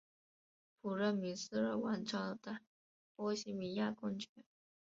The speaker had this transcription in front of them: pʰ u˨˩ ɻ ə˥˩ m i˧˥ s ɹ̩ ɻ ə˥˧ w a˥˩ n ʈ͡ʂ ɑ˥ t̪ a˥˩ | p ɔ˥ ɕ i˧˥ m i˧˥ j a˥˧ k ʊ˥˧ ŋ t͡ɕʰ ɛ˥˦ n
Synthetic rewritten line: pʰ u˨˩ ɻ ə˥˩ m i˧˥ s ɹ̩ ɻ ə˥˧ w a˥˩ n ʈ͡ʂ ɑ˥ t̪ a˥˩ | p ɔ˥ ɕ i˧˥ m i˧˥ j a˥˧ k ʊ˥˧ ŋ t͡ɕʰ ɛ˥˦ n